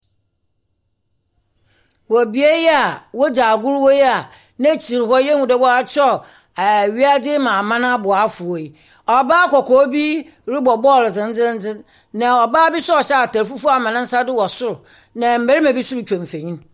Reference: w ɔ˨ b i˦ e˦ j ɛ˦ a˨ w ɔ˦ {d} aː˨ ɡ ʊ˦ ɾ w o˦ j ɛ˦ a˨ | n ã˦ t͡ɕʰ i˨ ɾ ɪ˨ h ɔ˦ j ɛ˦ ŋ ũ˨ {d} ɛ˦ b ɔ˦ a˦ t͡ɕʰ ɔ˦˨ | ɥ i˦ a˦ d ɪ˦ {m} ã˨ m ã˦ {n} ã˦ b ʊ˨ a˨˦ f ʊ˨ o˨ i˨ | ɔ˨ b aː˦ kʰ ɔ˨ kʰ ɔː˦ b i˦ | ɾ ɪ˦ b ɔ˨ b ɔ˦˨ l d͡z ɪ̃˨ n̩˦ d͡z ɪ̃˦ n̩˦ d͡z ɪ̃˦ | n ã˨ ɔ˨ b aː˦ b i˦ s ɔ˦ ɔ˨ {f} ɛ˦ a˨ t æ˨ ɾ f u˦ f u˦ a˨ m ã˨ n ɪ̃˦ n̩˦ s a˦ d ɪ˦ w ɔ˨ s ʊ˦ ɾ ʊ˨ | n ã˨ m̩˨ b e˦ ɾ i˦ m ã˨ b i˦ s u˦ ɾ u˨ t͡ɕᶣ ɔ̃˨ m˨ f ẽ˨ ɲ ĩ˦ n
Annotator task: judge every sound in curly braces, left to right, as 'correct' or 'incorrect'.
incorrect: d͡ʑ, correct, correct, correct, incorrect: ɕ

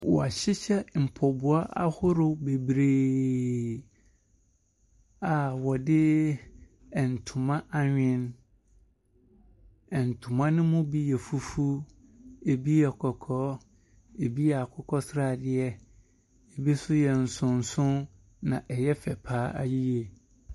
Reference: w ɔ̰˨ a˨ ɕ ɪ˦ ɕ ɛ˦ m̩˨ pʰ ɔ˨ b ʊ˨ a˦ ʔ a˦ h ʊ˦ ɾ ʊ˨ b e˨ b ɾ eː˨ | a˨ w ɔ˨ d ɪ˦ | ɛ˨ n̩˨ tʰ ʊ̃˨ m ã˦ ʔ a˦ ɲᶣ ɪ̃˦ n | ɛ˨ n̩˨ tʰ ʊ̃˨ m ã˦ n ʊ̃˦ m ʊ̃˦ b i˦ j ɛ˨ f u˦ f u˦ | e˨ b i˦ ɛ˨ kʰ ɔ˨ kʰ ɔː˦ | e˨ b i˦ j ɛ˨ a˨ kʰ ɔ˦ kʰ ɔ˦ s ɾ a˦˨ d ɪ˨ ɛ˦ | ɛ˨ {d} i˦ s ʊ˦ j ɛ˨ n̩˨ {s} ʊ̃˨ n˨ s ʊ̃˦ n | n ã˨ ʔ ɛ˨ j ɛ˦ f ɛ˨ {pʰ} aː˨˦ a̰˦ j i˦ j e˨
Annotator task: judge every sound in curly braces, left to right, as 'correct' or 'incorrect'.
incorrect: b, correct, correct

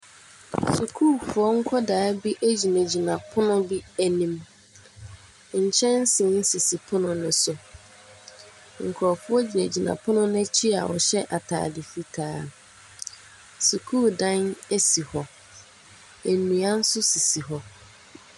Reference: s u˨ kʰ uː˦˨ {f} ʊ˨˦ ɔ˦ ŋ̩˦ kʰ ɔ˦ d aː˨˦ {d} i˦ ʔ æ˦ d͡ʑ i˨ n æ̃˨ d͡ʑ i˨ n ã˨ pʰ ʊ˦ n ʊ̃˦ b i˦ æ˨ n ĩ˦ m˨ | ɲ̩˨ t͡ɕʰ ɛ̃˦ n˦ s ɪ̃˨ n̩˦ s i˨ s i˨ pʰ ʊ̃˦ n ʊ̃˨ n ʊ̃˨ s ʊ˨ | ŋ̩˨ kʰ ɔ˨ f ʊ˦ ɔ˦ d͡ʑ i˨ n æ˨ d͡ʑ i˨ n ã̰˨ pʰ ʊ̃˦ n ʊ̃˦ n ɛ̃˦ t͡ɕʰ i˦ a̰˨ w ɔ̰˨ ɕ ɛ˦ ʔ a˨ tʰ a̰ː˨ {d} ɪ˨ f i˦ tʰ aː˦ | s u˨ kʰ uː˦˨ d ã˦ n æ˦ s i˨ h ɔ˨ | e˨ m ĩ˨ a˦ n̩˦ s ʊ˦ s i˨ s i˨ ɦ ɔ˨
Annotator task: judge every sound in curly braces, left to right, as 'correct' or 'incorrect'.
correct, incorrect: b, correct

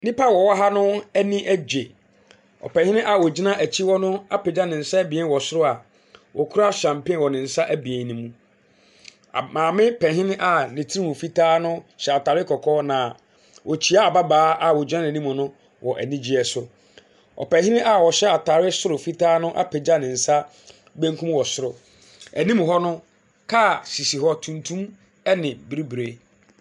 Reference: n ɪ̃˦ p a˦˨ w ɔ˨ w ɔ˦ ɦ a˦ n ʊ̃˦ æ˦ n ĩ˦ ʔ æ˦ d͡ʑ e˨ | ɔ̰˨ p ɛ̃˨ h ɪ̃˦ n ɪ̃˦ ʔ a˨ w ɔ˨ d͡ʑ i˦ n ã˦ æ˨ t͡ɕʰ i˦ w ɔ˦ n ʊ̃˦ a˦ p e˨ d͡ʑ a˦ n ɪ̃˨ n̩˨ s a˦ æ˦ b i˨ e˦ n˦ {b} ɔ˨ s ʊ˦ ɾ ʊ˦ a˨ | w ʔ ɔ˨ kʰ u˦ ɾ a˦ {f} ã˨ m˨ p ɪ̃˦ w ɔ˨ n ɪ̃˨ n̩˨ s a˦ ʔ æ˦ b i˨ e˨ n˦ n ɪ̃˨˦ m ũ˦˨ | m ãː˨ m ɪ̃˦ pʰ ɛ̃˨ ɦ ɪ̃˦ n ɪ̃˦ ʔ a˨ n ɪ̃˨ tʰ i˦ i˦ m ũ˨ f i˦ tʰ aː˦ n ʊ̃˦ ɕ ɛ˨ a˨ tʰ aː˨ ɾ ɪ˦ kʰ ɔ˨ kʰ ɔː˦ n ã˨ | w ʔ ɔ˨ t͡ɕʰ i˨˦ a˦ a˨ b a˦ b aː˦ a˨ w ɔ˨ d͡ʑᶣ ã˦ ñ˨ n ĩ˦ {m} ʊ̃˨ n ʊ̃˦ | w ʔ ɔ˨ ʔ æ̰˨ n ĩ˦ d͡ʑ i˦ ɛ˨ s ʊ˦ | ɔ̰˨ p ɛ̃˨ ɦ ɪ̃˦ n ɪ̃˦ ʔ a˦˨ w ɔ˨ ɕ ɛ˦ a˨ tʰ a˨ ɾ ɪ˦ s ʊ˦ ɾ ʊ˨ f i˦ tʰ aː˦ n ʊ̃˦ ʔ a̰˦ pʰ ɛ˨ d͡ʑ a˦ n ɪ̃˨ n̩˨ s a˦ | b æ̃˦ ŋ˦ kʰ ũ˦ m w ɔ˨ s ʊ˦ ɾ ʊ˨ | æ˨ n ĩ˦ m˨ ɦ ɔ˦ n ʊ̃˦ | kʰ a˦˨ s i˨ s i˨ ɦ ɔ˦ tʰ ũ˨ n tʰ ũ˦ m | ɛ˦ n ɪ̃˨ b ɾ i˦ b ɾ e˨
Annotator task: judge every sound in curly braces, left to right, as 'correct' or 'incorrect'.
incorrect: w, incorrect: ɕ, correct

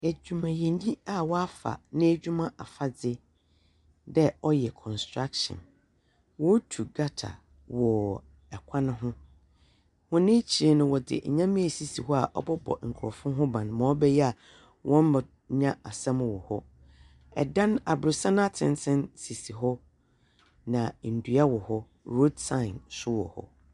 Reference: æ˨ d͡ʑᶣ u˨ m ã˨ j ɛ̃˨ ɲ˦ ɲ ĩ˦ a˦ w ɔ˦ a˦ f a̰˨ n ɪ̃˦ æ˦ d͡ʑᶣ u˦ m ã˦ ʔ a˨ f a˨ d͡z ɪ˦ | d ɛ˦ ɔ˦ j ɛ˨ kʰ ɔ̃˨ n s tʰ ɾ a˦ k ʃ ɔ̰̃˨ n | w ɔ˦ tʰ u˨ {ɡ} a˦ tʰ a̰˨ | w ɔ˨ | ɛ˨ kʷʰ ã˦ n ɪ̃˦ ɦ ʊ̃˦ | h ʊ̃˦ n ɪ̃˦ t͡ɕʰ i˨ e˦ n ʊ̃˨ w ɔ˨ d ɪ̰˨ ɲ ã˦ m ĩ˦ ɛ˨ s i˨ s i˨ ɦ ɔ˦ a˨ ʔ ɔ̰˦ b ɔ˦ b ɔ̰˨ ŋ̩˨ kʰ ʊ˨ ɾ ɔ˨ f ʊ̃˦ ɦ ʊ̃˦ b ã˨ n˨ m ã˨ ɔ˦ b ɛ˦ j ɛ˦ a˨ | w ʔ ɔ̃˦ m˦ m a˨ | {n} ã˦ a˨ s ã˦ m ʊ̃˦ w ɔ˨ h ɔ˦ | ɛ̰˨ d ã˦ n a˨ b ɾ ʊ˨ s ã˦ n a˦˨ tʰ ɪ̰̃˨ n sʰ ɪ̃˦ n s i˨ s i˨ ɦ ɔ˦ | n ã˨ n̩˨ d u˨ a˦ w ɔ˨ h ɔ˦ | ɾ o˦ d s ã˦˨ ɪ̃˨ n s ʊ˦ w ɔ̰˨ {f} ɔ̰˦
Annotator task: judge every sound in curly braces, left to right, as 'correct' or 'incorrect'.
correct, incorrect: ɲ, incorrect: h

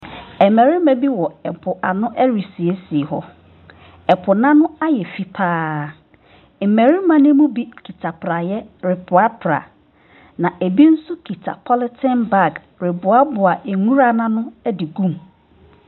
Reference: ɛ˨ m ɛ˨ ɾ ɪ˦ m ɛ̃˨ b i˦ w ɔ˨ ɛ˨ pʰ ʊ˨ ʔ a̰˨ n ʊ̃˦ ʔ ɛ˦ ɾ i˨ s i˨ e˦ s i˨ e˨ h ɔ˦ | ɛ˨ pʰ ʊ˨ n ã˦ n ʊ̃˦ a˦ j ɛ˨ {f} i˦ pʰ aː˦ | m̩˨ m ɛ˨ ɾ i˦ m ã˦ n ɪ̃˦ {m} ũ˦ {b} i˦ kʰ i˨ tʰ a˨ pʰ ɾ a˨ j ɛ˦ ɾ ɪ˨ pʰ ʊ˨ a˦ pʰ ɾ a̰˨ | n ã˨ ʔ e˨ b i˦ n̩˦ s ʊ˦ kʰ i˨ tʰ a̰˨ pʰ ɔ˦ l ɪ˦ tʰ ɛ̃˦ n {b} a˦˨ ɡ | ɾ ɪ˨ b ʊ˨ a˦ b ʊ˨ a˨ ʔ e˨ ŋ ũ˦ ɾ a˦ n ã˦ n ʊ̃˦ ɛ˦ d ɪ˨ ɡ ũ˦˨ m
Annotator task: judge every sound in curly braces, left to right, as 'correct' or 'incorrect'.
correct, correct, correct, correct

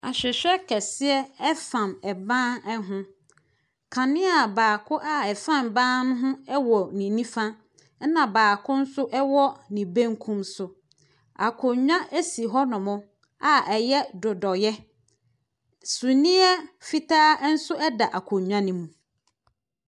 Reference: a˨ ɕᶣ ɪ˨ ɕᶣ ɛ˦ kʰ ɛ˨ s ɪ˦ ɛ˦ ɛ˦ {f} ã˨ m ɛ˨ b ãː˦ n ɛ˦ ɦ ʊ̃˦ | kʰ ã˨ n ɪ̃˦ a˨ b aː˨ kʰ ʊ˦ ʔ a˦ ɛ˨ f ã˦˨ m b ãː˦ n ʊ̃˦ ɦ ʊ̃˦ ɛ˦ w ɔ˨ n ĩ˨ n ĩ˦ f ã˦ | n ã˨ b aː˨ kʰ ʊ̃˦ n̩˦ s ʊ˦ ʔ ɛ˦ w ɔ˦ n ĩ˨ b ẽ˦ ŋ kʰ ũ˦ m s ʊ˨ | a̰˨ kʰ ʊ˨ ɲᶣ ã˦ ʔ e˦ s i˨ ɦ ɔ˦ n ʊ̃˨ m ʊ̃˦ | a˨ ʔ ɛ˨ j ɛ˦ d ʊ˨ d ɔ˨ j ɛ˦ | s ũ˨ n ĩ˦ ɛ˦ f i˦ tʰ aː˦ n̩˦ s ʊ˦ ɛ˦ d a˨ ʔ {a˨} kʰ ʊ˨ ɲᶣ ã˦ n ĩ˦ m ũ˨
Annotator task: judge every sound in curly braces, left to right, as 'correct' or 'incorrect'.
correct, correct

